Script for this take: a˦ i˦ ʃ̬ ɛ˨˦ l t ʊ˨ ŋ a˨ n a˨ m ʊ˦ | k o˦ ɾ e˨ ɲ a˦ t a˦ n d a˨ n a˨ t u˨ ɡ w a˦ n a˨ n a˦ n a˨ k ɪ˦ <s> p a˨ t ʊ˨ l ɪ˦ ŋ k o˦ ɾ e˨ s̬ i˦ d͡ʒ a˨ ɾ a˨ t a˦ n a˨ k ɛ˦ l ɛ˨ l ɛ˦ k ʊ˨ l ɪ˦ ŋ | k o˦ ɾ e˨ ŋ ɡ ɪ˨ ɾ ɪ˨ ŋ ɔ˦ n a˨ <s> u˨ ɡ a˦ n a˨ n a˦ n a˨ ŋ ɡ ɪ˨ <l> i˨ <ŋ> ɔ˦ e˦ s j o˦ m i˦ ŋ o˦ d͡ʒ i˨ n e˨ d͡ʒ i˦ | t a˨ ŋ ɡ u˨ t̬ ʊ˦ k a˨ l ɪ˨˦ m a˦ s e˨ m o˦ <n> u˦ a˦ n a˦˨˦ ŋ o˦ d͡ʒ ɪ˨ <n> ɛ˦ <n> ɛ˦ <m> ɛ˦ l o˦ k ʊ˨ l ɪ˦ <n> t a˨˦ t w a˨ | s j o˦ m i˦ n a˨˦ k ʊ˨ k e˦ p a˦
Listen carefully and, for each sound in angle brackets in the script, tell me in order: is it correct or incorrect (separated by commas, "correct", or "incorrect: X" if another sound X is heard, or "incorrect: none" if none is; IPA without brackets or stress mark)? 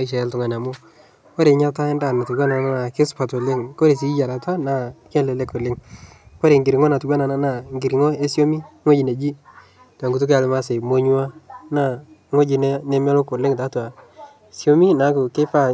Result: correct, incorrect: t, incorrect: ɾ, correct, incorrect: ɲ, correct, correct, correct, incorrect: ŋ